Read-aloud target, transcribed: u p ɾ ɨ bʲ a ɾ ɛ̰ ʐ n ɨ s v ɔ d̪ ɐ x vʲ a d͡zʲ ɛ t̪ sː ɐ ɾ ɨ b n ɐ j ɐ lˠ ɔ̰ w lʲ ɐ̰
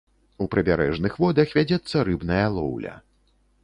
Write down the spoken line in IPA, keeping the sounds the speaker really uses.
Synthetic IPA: u p ɾ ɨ bʲ a ɾ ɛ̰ ʐ n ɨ x v ɔ d̪ ɐ x vʲ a d͡zʲ ɛ t̪ sː ɐ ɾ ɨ b n ɐ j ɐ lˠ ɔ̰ w lʲ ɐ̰